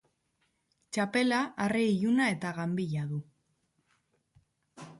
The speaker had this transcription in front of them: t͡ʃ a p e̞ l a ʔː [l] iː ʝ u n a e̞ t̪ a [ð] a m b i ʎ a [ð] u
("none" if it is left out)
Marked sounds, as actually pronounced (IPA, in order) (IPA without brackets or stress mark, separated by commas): r, ɣ, ð